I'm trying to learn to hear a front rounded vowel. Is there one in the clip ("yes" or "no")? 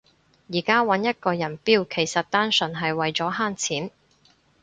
no